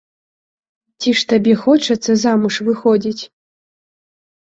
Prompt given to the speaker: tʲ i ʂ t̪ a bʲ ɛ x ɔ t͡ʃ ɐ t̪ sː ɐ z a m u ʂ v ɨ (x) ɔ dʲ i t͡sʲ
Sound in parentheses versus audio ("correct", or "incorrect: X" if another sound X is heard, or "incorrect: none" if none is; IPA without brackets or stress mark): correct